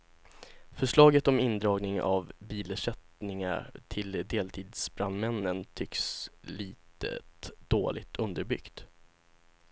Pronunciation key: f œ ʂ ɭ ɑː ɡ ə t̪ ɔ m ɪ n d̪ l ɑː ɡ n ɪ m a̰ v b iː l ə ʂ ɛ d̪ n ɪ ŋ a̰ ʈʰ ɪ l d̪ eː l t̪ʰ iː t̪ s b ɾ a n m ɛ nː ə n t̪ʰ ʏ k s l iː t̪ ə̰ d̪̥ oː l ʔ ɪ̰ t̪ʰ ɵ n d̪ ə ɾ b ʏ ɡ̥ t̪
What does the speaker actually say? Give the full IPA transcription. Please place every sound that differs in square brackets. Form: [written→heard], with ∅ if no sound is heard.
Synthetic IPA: f œ ʂ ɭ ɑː ɡ ə t̪ ɔ m ɪ n d̪ [l→ɾ] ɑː ɡ n ɪ [m→ŋ] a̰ v b iː l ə ʂ ɛ [d̪→t̪] n ɪ ŋ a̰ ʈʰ ɪ l d̪ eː l t̪ʰ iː [t̪→d̪] s b ɾ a n m ɛ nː ə n t̪ʰ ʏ k s l iː t̪ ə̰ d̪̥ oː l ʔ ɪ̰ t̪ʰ ɵ n d̪ ə ɾ b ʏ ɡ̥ t̪